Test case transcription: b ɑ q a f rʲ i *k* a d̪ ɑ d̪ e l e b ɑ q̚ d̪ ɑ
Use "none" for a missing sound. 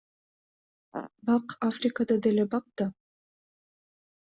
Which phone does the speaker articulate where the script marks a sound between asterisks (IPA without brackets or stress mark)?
k